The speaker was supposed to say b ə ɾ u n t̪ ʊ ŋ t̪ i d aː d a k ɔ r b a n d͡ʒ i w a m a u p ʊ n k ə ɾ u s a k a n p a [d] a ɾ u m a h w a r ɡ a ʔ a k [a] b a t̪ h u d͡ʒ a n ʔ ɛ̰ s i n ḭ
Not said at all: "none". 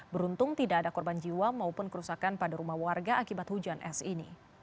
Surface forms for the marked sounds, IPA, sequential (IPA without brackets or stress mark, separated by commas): d, i